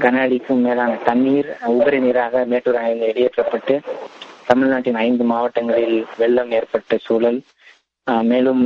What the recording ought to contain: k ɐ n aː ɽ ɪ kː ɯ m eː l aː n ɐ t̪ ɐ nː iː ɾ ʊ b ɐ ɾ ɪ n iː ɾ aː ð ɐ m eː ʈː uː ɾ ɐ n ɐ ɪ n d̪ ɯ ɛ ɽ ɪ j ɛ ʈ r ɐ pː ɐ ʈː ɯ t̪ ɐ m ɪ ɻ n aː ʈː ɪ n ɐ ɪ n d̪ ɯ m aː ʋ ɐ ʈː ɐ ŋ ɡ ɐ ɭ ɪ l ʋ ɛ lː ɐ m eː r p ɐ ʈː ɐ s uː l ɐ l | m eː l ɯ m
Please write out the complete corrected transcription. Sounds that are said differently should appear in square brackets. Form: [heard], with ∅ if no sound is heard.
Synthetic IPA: k ɐ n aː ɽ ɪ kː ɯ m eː l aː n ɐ t̪ ɐ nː iː ɾ ʊ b ɐ ɾ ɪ n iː ɾ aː [ɣ] ɐ m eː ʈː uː ɾ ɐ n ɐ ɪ n d̪ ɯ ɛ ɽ ɪ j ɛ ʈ r ɐ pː ɐ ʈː ɯ t̪ ɐ m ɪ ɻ n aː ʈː ɪ n ɐ ɪ n d̪ ɯ m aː ʋ ɐ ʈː ɐ ŋ ɡ ɐ ɭ ɪ l ʋ ɛ [ɭː] ɐ m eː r p ɐ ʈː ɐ s uː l ɐ l | m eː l ɯ m